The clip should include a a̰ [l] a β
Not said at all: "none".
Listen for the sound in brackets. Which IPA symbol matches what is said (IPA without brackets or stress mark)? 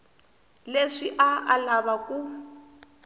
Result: l